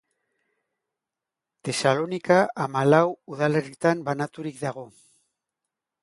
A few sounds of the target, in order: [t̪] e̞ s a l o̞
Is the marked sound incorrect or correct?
correct